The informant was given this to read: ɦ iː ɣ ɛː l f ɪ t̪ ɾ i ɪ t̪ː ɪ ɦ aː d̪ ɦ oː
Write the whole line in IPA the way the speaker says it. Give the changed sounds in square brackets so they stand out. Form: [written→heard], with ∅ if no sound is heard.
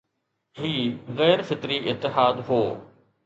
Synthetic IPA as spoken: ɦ iː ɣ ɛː [l→ɾ] f ɪ t̪ ɾ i ɪ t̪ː ɪ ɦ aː d̪ ɦ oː